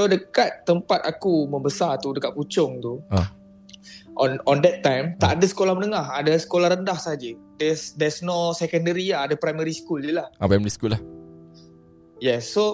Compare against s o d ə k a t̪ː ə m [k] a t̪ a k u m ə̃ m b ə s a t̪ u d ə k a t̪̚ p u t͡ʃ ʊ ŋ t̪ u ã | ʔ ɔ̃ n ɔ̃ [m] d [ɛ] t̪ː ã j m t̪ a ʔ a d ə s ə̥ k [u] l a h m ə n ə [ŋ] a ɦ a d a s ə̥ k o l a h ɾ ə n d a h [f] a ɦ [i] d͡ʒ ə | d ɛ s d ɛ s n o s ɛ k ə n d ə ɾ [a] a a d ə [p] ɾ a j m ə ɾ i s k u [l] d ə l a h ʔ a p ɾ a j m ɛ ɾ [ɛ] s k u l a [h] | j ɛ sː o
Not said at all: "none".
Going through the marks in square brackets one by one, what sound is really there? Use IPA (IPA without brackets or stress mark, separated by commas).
p, n, ɛ, o, ŋ, s, a, i, p, l, i, h